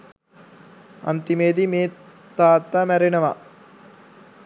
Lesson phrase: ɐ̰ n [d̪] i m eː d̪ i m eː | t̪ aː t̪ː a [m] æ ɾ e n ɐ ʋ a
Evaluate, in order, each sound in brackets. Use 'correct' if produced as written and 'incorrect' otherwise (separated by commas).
incorrect, correct